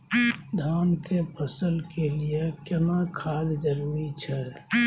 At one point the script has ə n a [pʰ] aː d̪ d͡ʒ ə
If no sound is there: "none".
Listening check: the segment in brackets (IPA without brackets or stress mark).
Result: kʰ